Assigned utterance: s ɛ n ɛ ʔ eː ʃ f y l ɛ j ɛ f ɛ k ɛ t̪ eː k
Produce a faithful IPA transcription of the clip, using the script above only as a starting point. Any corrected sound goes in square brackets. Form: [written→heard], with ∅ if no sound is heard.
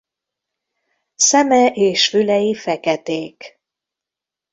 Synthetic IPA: s ɛ [n→m] ɛ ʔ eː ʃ f y l ɛ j [ɛ→i] f ɛ k ɛ t̪ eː k